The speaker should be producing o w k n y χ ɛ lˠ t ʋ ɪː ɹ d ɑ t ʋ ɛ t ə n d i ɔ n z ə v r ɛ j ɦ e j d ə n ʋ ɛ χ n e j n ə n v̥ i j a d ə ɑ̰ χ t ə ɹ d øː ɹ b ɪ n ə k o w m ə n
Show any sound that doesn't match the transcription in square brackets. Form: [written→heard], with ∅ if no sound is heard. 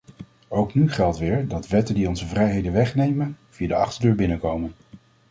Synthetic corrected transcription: o w k n y χ ɛ lˠ t ʋ ɪː ɹ d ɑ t ʋ ɛ t ə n d i ɔ n z ə v r ɛ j ɦ e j d ə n ʋ ɛ χ n e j [n→m] ə n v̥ i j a d ə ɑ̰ χ t ə ɹ d øː ɹ b ɪ n ə k o w m ə n